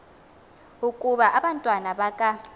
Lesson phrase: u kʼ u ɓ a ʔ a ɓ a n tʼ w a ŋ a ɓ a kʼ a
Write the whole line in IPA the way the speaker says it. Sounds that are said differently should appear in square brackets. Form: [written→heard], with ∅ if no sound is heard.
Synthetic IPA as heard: u kʼ u ɓ a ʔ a ɓ a n tʼ w a [ŋ→n] a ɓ a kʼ a